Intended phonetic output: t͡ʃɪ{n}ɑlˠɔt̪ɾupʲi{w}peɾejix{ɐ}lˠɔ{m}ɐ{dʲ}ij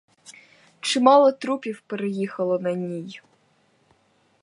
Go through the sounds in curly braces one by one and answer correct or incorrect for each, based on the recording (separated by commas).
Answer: incorrect, correct, correct, incorrect, incorrect